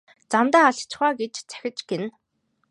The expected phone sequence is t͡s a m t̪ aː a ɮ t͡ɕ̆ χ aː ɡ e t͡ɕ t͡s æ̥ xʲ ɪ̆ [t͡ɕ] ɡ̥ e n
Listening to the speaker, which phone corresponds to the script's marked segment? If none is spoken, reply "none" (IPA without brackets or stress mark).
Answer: t͡ɕ